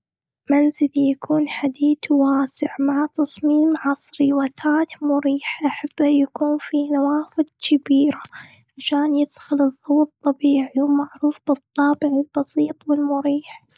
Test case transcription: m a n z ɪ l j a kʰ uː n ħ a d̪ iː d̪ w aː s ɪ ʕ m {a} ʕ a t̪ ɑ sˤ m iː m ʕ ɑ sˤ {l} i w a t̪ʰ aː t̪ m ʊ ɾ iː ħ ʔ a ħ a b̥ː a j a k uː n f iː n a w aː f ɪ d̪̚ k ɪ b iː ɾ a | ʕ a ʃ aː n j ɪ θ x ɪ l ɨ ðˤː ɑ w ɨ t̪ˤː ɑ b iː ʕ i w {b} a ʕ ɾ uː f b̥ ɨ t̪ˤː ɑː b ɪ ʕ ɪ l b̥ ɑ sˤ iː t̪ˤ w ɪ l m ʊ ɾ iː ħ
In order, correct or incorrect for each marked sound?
correct, incorrect: ɾ, incorrect: m

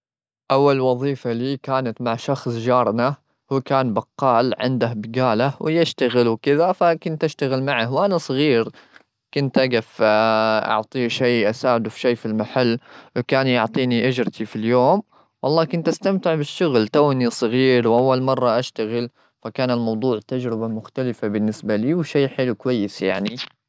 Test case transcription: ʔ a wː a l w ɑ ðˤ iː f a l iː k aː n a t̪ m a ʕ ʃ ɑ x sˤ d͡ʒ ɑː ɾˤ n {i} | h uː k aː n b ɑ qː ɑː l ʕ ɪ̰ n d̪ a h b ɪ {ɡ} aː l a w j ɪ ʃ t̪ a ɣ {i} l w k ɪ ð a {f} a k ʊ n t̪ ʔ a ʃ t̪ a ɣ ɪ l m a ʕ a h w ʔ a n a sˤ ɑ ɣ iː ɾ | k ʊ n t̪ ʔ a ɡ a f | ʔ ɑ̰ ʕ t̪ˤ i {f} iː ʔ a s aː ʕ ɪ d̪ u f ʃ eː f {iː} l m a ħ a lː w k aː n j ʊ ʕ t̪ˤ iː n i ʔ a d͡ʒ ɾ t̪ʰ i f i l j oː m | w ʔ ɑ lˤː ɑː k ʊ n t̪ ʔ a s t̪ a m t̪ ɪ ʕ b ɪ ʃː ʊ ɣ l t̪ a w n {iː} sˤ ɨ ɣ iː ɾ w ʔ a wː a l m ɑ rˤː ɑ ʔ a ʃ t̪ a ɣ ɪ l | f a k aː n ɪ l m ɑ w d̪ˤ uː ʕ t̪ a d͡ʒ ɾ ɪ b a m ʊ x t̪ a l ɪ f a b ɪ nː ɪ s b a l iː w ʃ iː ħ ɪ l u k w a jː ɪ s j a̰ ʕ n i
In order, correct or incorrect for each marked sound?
incorrect: a, correct, incorrect: ɪ, correct, incorrect: ʃ, incorrect: i, incorrect: i

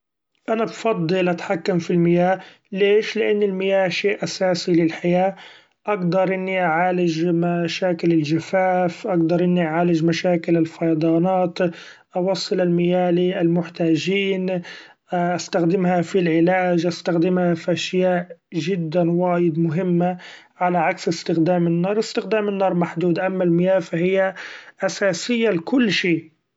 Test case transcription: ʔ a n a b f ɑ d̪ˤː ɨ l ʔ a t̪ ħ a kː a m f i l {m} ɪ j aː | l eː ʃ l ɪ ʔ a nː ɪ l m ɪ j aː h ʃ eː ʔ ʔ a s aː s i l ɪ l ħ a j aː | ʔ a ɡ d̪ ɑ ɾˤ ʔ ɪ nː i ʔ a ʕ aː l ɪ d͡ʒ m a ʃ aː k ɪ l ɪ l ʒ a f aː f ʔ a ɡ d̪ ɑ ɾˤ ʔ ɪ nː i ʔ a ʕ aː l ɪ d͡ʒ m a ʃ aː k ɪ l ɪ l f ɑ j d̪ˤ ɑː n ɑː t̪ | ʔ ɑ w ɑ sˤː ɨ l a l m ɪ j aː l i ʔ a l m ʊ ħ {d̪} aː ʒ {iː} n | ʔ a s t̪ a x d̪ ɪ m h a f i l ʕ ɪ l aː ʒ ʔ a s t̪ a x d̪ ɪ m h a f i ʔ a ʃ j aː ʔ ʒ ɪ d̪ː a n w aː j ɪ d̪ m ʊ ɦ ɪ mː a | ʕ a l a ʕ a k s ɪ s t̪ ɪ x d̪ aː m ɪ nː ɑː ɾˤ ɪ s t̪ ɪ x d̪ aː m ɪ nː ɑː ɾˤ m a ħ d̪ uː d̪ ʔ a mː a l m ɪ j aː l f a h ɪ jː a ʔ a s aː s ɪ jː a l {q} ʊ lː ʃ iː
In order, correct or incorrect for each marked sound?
correct, incorrect: t̪, correct, incorrect: k

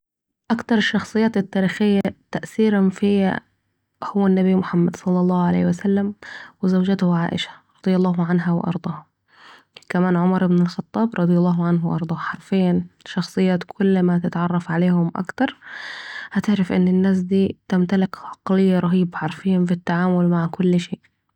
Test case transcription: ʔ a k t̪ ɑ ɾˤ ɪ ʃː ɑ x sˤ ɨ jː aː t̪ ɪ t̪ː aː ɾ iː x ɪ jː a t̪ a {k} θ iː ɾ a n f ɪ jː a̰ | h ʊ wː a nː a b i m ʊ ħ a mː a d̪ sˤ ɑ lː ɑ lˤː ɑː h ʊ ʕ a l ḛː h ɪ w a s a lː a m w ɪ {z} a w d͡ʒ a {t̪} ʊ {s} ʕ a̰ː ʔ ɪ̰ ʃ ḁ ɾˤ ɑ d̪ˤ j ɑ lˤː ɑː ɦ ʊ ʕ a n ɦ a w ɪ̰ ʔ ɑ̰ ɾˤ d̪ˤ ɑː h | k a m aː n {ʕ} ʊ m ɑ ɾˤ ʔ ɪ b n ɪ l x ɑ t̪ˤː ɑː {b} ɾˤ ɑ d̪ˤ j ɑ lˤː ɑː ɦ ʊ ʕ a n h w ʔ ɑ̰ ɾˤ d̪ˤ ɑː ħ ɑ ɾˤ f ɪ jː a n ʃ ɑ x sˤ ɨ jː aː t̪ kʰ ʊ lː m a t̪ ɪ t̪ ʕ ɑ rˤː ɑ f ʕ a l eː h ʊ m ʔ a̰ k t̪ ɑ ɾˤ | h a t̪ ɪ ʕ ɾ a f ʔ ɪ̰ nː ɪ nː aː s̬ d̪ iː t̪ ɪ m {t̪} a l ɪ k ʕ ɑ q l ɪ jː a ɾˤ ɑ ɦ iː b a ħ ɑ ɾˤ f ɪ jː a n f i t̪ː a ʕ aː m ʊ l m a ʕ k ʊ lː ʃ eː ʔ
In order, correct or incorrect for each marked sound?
incorrect: ʔ, correct, correct, incorrect: h, correct, correct, correct

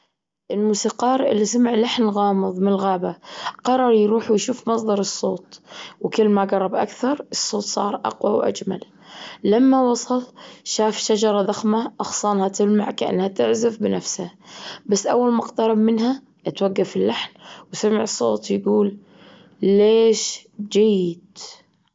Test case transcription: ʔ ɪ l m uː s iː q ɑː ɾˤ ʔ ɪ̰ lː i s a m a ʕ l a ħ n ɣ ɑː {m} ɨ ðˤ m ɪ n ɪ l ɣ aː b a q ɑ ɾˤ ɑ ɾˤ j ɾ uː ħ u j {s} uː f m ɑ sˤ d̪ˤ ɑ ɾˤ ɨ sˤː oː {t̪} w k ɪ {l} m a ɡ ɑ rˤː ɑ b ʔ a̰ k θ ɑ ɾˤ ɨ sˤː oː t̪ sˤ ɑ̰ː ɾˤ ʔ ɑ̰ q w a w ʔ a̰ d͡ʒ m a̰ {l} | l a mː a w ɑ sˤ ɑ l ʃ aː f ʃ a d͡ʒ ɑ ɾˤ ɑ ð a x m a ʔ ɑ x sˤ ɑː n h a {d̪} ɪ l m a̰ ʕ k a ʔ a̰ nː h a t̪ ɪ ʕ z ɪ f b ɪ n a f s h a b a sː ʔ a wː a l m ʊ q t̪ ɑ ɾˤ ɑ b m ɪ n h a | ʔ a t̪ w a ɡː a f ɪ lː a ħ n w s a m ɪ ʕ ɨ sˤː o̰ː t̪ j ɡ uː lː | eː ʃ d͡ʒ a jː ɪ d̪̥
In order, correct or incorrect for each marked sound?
correct, incorrect: ʃ, correct, incorrect: lː, correct, incorrect: t̪

